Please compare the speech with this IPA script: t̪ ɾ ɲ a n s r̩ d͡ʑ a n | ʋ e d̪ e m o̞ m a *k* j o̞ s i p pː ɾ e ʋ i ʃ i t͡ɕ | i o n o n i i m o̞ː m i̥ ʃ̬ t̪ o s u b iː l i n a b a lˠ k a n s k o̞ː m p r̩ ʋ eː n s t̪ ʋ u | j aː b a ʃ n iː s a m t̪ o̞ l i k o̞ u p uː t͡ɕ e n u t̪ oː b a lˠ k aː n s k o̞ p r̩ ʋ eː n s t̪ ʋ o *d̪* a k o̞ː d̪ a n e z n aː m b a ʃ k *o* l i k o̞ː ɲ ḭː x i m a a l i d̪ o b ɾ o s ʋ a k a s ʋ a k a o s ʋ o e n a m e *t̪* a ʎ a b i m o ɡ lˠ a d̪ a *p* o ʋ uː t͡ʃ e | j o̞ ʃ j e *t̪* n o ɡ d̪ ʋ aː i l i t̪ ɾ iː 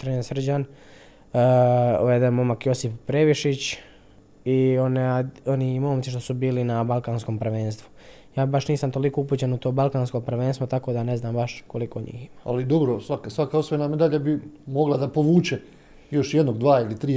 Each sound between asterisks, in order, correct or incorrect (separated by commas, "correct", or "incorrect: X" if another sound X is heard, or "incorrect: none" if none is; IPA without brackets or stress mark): correct, incorrect: t̪, correct, incorrect: d̪, correct, incorrect: d̪